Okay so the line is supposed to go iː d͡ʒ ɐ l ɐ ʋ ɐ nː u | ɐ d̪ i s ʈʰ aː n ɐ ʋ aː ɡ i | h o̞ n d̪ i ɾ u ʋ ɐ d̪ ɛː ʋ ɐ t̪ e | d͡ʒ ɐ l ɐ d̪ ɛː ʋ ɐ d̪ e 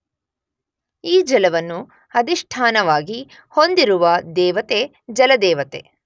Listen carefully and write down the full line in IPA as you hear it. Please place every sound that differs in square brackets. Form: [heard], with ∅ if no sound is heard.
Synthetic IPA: iː d͡ʒ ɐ l ɐ ʋ ɐ nː u | ɐ d̪ i [ʂ] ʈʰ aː n ɐ ʋ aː ɡ i | h o̞ n d̪ i ɾ u ʋ ɐ d̪ ɛː ʋ ɐ t̪ e | d͡ʒ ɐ l ɐ d̪ ɛː ʋ ɐ [t̪] e